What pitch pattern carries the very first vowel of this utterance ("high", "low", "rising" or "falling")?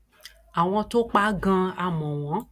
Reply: low